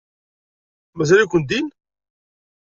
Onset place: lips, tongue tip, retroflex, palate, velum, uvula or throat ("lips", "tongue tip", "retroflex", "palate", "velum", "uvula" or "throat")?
lips